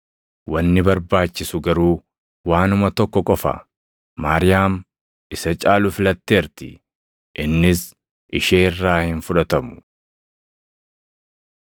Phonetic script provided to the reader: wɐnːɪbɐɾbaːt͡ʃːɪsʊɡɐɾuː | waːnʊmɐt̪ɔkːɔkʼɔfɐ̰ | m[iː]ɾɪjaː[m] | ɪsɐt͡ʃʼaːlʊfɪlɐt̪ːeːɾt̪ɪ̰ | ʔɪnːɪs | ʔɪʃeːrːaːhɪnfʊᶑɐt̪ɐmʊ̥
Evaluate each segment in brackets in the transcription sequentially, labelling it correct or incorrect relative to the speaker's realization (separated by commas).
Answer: incorrect, correct